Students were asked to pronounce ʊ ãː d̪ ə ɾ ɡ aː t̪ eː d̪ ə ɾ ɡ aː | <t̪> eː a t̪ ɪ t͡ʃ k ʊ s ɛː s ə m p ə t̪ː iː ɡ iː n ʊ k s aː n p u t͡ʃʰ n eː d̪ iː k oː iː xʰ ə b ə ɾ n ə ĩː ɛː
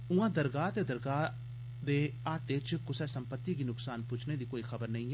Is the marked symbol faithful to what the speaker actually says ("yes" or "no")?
no